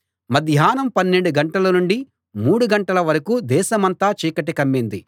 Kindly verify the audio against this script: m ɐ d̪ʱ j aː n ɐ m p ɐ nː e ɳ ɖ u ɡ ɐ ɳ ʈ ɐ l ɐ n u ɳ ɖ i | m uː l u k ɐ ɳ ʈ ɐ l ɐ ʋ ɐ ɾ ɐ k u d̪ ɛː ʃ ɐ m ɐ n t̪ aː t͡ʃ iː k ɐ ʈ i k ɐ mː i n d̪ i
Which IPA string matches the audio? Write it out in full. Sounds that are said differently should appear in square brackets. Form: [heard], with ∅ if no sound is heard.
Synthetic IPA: m ɐ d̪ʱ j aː n ɐ m p ɐ nː e ɳ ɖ u ɡ ɐ ɳ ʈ ɐ l ɐ n u ɳ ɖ i | m uː [ɽ] u [ɡ] ɐ ɳ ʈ ɐ l ɐ ʋ ɐ ɾ ɐ k u d̪ ɛː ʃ ɐ m ɐ n t̪ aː t͡ʃ iː k ɐ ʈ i k ɐ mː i n d̪ i

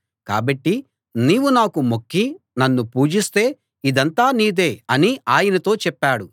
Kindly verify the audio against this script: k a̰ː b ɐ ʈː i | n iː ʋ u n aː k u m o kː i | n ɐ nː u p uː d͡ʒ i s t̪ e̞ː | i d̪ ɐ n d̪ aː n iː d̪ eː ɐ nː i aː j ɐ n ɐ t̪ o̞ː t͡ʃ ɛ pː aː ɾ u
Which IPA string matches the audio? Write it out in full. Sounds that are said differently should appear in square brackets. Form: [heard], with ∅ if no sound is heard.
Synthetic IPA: k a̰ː b ɐ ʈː i | n iː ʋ u n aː k u m o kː i | n ɐ nː u p uː d͡ʒ i s t̪ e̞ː | i d̪ ɐ n [t̪] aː n iː d̪ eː ɐ [n] i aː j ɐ n ɐ t̪ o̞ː t͡ʃ ɛ pː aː [ɽ] u

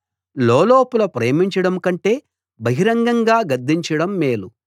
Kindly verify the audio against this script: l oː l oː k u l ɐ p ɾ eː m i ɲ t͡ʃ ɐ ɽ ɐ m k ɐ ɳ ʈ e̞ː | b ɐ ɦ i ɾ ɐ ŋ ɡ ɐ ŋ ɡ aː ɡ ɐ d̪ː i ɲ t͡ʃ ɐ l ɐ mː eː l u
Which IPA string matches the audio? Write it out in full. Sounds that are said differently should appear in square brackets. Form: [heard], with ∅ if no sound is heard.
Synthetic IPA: l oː l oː [p] u l ɐ p ɾ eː m i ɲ t͡ʃ ɐ ɽ ɐ m k ɐ ɳ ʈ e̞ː | b ɐ ɦ i ɾ ɐ ŋ ɡ ɐ ŋ ɡ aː ɡ ɐ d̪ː i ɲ t͡ʃ ɐ [ɽ] ɐ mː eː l u

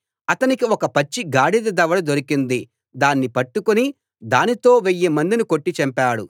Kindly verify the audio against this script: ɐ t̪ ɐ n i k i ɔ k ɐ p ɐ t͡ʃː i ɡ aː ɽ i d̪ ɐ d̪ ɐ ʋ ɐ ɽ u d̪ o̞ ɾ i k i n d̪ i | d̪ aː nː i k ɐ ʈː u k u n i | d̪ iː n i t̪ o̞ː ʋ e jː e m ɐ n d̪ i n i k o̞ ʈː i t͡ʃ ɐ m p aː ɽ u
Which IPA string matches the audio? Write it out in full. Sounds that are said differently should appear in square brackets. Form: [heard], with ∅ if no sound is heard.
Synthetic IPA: ɐ t̪ ɐ n i k i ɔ k ɐ p ɐ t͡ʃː i ɡ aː ɽ i d̪ ɐ d̪ ɐ ʋ ɐ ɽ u d̪ o̞ ɾ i k i n d̪ i | d̪ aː nː i [p] ɐ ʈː u k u n i | d̪ [aː] n i t̪ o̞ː ʋ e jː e m ɐ n d̪ i n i k o̞ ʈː i t͡ʃ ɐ m p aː ɽ u

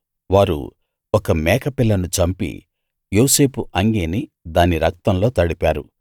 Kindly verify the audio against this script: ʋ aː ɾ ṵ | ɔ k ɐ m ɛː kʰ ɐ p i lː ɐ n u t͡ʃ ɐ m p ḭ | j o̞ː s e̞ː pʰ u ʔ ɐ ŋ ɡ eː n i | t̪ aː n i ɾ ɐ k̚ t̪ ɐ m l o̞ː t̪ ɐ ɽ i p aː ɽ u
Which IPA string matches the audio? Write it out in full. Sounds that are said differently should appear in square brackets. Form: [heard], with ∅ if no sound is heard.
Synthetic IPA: ʋ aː ɾ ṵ | ɔ k ɐ m ɛː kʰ ɐ p i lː ɐ n u t͡ʃ ɐ m p ḭ | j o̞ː s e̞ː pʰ u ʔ ɐ ŋ ɡ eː n i | [d̪] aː n i ɾ ɐ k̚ t̪ ɐ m l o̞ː t̪ ɐ ɽ i p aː [ɾ] u

